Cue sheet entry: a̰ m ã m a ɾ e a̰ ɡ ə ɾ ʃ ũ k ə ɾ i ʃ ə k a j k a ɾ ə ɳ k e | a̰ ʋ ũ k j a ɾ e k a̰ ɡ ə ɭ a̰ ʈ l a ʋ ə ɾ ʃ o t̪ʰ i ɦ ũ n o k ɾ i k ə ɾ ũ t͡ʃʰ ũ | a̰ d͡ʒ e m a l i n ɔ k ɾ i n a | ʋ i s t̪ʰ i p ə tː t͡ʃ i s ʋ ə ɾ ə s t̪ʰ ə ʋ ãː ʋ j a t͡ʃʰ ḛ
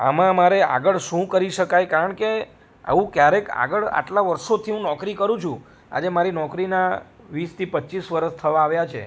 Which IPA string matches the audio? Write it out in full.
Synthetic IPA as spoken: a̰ m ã m a ɾ e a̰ ɡ ə ɭ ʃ ũ k ə ɾ i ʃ ə k a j k a ɾ ə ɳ k e | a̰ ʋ ũ k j a ɾ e k a̰ ɡ ə ɭ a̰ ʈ l a ʋ ə ɾ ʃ o t̪ʰ i ɦ ũ n ɔ k ɾ i k ə ɾ ũ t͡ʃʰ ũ | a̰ d͡ʒ e m a ɾ i n ɔ k ɾ i n a | ʋ i s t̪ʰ i p ə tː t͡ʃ i s ʋ ə ɾ ə s t̪ʰ ə ʋ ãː ʋ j a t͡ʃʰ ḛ